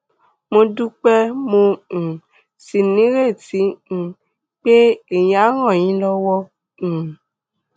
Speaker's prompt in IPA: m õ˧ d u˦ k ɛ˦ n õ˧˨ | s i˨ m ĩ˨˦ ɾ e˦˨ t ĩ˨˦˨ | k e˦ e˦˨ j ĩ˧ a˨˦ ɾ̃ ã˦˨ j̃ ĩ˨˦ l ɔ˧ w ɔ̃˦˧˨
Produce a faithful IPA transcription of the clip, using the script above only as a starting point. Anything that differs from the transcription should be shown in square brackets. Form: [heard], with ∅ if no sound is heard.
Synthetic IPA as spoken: m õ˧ d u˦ [k͡p] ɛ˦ [m] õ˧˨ | s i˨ [n] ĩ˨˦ ɾ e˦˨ t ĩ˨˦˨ | [k͡p] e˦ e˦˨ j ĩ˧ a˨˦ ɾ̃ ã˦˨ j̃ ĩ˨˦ l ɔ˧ w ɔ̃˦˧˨